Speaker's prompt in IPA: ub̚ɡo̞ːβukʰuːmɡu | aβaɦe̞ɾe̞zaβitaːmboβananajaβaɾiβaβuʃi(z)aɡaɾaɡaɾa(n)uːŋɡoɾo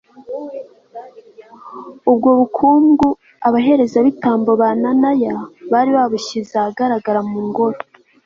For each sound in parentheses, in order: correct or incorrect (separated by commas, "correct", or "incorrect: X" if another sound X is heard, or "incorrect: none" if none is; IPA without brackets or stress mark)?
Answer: correct, incorrect: m